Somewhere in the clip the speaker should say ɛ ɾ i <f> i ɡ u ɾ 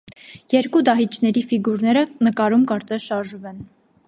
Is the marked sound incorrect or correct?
correct